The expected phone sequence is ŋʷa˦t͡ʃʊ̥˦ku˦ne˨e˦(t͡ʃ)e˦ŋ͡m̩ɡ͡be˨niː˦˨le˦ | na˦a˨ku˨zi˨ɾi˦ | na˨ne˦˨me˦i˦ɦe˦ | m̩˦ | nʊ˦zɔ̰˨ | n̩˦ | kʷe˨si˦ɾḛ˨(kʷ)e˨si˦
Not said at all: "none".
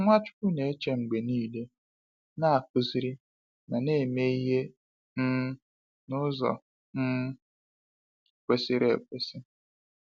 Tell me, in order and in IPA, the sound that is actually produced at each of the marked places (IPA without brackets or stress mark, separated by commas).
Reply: t͡ʃ, kʷ